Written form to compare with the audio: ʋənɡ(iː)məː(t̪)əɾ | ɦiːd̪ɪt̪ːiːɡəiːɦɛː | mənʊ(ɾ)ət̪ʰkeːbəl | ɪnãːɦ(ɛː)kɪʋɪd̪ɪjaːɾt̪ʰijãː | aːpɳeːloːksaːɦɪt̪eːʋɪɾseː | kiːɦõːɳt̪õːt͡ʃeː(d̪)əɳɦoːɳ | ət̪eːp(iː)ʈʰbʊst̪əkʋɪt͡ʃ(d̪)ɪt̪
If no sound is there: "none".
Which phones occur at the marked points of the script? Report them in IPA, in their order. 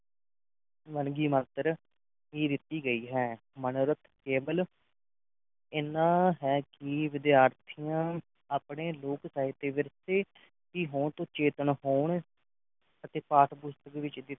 iː, t̪, ɾ, ɛː, t̪, aː, d̪

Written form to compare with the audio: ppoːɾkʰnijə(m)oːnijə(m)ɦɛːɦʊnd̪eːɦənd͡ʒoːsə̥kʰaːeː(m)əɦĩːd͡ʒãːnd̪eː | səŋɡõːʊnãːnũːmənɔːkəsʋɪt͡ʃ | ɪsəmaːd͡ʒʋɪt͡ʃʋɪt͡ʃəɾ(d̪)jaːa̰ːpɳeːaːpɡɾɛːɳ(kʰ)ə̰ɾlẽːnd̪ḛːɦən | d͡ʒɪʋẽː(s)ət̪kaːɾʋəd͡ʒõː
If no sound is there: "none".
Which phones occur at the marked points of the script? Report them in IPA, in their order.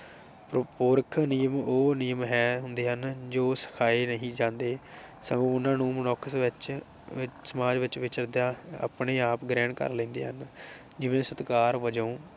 m, m, n, d̪, k, s

